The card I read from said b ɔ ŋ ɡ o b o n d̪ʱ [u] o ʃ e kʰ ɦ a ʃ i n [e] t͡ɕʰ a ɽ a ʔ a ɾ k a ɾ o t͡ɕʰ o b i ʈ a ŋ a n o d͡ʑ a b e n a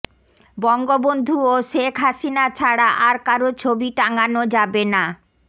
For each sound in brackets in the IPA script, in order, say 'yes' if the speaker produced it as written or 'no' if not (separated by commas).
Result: yes, no